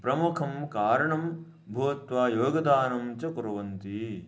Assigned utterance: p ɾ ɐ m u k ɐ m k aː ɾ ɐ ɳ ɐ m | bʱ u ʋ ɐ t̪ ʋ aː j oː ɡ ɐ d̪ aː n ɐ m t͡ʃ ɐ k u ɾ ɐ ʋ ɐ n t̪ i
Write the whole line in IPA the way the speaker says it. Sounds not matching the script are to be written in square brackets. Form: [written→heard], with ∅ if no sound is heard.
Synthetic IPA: p ɾ ɐ m u [k→kʰ] ɐ m k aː ɾ ɐ ɳ ɐ m | bʱ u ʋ ɐ t̪ ʋ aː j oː ɡ ɐ d̪ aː n ɐ m t͡ʃ ɐ k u ɾ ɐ ʋ ɐ n t̪ i